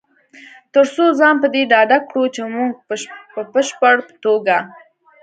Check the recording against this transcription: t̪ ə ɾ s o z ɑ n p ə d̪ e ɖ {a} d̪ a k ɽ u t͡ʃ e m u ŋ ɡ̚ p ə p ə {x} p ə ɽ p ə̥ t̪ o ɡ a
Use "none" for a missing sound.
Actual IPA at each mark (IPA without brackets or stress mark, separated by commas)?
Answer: ɑ, ʃ